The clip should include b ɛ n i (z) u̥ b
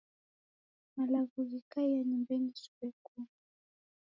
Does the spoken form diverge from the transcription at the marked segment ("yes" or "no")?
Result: yes